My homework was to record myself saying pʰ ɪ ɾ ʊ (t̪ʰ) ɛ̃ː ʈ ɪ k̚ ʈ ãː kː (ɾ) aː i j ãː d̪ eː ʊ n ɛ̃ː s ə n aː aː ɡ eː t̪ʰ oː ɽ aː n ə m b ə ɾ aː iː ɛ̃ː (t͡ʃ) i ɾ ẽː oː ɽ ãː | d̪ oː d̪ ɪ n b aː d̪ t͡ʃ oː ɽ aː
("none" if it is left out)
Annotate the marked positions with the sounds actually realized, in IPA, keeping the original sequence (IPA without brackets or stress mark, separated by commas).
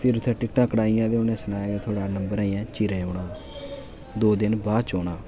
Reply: t̪ʰ, ɽ, t͡ʃ